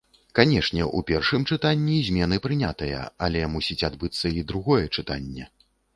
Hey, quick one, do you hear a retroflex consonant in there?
yes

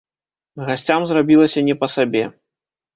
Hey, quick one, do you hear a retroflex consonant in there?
no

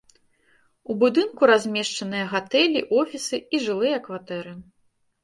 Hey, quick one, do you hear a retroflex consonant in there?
yes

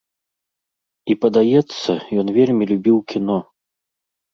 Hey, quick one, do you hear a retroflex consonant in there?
no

